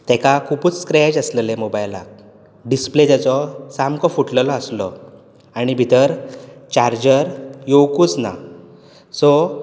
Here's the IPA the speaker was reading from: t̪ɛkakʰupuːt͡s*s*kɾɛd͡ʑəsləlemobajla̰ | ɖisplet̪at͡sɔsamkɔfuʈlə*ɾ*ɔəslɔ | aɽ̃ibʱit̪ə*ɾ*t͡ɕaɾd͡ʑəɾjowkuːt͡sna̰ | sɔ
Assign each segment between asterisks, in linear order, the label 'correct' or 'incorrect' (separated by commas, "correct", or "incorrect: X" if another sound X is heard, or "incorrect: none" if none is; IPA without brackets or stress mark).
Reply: correct, incorrect: l, correct